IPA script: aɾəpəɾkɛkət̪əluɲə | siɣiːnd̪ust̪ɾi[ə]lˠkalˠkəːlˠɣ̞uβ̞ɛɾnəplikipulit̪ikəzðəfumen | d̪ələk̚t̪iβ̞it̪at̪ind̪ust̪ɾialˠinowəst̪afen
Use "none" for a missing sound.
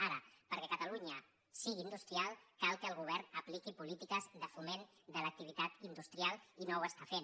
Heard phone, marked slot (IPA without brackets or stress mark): a